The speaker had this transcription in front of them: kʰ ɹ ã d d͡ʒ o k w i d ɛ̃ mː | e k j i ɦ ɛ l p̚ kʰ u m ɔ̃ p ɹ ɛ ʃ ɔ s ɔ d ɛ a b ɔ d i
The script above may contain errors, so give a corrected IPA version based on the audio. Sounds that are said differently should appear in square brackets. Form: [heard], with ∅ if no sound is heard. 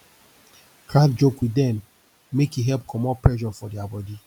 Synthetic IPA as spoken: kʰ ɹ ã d d͡ʒ o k w i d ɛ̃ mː | e k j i ɦ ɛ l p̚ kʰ [ɔ] m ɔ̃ p ɹ ɛ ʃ ɔ [f] ɔ d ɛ a b ɔ d i